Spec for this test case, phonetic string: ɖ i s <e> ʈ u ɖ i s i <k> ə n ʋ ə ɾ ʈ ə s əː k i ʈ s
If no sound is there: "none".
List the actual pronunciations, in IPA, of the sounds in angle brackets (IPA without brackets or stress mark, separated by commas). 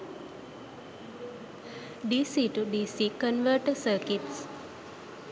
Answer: i, k